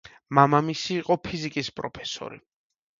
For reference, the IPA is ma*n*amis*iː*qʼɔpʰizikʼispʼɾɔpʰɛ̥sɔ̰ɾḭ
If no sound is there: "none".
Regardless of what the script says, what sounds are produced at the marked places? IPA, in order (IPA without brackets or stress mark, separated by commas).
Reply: m, iː